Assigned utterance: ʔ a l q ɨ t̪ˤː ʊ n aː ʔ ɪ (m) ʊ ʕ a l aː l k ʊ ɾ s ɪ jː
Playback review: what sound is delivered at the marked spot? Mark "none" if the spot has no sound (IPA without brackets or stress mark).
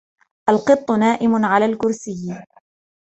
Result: m